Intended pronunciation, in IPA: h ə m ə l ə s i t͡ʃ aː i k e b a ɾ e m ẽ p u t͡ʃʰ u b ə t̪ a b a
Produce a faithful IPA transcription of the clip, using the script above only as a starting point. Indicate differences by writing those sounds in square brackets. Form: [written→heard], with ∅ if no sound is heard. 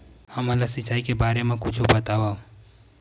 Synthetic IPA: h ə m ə l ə s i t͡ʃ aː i k e b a ɾ e m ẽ [p→k] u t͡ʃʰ u b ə t̪ a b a